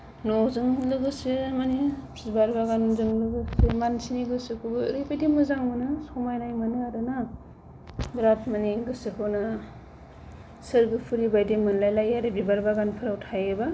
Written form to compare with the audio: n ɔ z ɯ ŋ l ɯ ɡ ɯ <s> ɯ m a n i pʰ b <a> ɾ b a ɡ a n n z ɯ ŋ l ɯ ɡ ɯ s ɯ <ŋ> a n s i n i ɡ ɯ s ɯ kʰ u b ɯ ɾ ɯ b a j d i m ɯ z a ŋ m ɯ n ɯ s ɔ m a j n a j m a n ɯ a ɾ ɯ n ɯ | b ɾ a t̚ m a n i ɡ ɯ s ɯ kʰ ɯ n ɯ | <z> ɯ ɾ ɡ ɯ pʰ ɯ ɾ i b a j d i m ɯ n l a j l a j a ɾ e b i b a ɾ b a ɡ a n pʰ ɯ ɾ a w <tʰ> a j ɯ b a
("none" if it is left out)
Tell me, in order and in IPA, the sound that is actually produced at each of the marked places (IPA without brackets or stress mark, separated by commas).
s, a, m, s, tʰ